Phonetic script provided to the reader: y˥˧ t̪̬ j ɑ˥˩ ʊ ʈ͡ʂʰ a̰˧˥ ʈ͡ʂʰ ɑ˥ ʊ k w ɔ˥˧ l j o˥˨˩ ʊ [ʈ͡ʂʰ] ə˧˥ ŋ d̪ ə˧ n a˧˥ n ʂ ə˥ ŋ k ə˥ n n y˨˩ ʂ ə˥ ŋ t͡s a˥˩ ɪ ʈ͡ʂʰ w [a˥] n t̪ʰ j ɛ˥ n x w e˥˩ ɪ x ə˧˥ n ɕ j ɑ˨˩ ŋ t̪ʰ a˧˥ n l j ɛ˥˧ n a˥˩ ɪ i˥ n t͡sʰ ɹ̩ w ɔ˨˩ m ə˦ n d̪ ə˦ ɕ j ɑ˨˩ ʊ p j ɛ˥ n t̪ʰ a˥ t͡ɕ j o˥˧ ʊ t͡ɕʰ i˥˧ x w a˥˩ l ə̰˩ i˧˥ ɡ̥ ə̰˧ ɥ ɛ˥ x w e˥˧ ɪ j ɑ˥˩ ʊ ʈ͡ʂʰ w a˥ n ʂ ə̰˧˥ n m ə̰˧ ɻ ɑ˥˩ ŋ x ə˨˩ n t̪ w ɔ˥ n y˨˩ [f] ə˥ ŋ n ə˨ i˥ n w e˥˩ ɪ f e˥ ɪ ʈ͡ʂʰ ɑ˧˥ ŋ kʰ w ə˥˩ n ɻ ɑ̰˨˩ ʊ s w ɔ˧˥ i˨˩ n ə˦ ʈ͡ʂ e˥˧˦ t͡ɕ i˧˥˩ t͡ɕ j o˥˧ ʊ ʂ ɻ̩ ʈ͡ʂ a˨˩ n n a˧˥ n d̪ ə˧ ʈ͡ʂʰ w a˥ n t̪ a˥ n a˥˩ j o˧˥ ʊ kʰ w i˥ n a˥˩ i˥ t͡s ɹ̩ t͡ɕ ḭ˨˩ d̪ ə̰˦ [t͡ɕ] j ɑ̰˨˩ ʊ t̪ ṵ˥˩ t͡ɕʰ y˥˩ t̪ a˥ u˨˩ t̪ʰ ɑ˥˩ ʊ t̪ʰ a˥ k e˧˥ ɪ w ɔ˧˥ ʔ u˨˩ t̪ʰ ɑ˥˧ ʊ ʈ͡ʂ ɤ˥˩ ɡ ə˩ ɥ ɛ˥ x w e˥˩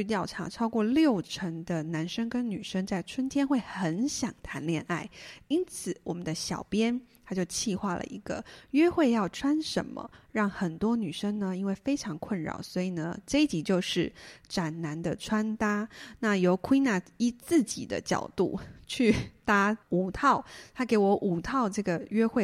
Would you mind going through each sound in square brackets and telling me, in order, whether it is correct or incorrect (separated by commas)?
correct, incorrect, incorrect, correct